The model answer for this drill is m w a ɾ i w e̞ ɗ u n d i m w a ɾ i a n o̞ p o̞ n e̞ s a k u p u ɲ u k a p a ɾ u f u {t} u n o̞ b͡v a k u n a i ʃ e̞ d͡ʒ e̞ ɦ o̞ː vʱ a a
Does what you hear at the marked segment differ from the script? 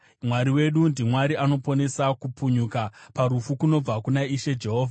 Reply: yes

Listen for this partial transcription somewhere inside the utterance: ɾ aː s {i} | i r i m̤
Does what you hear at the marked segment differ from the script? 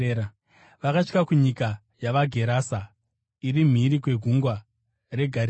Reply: yes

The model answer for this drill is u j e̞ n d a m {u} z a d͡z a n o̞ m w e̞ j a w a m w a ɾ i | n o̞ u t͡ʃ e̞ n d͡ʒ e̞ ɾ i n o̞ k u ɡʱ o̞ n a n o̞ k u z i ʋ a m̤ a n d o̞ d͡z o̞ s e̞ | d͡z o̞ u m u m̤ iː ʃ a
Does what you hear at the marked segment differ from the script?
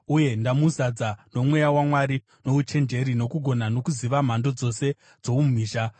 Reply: no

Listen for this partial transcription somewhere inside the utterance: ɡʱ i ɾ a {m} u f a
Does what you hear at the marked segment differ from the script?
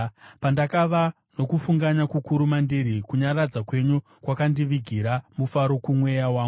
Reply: no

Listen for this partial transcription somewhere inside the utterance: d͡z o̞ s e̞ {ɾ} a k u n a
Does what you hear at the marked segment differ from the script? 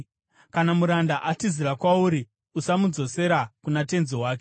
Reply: no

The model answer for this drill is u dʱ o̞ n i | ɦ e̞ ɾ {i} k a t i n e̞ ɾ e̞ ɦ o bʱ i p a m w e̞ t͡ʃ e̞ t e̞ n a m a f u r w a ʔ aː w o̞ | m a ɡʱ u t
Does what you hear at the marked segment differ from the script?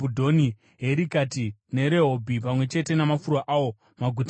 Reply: no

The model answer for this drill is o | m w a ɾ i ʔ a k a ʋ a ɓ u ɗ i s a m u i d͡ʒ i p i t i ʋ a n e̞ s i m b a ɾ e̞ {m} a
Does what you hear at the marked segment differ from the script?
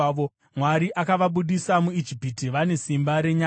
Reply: yes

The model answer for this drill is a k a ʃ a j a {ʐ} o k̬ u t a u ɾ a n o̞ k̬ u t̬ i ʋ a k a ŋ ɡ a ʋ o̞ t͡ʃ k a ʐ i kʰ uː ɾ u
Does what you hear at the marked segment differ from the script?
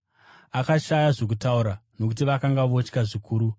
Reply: no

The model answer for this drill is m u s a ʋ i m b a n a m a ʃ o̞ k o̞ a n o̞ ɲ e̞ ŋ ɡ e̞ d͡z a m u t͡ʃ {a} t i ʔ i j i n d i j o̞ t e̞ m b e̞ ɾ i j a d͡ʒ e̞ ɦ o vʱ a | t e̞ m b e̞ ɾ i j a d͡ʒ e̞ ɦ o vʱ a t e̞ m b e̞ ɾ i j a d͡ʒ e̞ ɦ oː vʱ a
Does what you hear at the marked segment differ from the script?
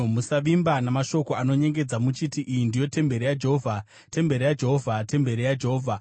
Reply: yes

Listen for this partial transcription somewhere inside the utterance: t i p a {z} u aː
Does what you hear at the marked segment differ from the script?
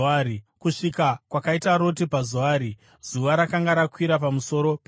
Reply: no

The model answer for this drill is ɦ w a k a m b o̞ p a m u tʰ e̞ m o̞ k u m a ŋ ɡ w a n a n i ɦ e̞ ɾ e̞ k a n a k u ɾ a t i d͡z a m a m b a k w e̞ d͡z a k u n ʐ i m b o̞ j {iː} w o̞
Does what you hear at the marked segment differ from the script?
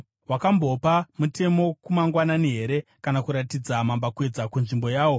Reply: yes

